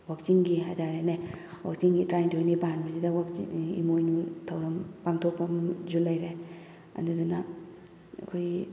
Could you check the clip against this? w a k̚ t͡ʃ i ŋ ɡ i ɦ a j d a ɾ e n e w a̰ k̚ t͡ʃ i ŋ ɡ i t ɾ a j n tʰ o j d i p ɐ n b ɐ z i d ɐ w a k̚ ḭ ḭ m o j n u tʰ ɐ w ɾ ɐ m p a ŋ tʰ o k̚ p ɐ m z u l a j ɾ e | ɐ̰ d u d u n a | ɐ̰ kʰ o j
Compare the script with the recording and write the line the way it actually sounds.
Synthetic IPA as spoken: w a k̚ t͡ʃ i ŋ ɡ i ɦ a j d a ɾ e n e w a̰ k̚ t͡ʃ i ŋ ɡ i t ɾ a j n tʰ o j n i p a n b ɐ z i d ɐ w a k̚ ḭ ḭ m o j n u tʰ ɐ w ɾ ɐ m p a ŋ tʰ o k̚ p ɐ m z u l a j ɾ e | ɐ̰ d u d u n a | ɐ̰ kʰ o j